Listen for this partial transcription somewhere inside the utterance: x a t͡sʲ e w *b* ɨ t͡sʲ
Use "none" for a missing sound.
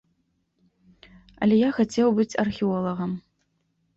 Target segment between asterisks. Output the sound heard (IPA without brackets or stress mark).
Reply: b